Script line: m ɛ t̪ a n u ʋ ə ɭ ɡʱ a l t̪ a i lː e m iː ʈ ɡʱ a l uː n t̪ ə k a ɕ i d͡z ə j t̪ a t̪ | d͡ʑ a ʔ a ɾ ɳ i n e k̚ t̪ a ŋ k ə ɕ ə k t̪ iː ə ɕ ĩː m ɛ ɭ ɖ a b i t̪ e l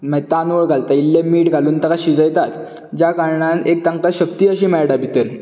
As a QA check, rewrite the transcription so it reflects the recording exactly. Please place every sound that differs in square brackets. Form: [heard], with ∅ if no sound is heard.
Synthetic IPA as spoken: m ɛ t̪ a n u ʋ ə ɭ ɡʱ a l t̪ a i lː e m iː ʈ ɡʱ a l uː n t̪ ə k a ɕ i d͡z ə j t̪ a t̪ | d͡ʑ a [k] a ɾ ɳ [a] n e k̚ t̪ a ŋ k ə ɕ ə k t̪ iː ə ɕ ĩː m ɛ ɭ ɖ a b i t̪ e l